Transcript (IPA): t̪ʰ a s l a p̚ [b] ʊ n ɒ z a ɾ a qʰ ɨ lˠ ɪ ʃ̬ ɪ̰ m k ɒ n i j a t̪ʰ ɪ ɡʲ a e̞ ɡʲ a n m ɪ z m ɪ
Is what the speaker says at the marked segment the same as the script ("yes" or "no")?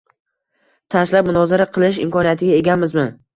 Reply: no